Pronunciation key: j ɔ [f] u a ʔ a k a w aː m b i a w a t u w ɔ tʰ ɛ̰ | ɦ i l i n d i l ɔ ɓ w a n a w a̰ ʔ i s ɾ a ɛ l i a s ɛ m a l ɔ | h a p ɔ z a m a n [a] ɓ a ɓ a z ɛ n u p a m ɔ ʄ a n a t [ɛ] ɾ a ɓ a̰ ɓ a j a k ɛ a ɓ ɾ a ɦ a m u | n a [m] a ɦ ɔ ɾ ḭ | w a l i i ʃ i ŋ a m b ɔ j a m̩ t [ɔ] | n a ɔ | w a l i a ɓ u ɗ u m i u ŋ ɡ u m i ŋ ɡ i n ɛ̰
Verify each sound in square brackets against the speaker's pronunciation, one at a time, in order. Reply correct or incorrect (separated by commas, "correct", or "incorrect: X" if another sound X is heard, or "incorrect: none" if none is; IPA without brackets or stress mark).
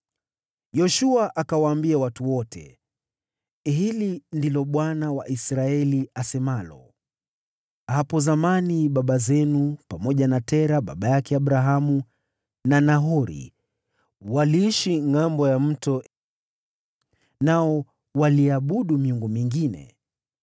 incorrect: ʃ, incorrect: i, correct, incorrect: n, correct